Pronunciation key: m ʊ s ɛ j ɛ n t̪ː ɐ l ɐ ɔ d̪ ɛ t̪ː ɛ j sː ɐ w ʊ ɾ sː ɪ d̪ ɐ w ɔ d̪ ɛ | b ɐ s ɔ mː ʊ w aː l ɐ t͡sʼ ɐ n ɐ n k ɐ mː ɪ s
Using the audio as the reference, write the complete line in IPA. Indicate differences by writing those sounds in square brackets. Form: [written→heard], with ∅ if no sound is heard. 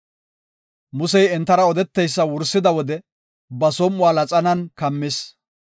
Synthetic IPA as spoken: m ʊ s ɛ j ɛ n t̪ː ɐ [l→ɾ] ɐ ɔ d̪ ɛ t̪ː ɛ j sː ɐ w ʊ ɾ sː ɪ d̪ ɐ w ɔ d̪ ɛ | b ɐ s ɔ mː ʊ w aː l ɐ t͡sʼ ɐ n ɐ n k ɐ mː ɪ s